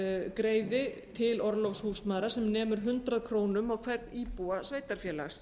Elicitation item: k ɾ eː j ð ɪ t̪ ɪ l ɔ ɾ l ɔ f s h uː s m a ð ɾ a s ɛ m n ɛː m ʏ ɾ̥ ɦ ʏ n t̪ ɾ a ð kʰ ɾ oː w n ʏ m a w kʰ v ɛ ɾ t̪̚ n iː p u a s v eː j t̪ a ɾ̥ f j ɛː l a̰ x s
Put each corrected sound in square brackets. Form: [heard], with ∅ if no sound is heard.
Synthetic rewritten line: k ɾ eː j ð ɪ [t̪ʰ] ɪ l ɔ ɾ l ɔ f s h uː s m a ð ɾ a s ɛ m n ɛː m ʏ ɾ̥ ɦ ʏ n t̪ ɾ a ð kʰ ɾ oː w n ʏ m a w kʰ v ɛ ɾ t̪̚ n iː p u a s v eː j t̪ a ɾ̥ f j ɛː l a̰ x s